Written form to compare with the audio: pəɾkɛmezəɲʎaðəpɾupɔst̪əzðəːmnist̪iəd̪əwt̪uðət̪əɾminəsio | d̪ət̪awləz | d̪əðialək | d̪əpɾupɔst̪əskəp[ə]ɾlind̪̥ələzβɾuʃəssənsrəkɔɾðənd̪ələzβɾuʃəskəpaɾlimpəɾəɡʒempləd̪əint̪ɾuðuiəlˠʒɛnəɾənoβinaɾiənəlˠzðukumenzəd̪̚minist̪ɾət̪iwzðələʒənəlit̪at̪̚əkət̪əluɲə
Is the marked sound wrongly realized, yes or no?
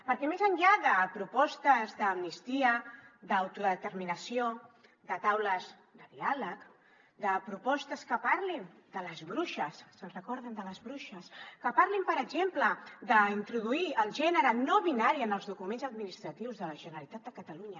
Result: yes